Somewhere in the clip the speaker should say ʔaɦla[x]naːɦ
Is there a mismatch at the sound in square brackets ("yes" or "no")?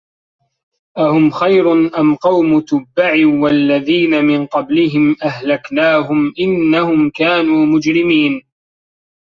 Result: yes